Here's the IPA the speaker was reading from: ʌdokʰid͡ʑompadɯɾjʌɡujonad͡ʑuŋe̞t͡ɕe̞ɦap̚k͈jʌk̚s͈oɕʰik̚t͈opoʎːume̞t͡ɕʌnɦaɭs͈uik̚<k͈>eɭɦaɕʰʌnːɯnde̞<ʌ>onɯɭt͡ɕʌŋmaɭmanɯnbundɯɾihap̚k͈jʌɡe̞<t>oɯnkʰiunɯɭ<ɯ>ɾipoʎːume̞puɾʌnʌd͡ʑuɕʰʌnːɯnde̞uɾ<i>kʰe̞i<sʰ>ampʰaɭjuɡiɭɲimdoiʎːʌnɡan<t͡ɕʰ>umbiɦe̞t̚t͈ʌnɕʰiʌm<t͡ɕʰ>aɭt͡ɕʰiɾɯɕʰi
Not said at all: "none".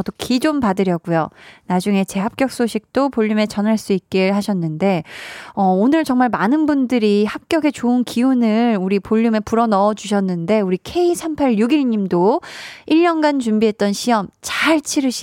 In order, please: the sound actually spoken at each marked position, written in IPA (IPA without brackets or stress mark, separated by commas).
k͈, ʌ, t͡ɕ, u, i, sʰ, t͡ɕ, t͡ɕ